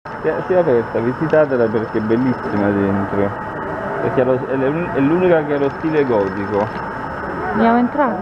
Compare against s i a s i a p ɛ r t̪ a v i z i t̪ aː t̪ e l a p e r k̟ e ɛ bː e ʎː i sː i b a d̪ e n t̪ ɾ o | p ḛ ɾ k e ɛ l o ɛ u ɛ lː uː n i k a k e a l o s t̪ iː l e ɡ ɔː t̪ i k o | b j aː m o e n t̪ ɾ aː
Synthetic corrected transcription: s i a s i a p ɛ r t̪ a v i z i t̪ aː t̪ e l a p e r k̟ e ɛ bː e lː i sː i m a d̪ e n t̪ ɾ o | p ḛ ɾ k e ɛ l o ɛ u ɛ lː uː n i k a k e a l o s t̪ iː l e ɡ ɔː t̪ i k o | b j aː m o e n t̪ ɾ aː